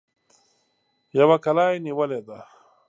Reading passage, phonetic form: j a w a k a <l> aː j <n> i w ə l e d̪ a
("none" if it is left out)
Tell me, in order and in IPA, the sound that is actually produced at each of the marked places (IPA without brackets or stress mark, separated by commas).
l, n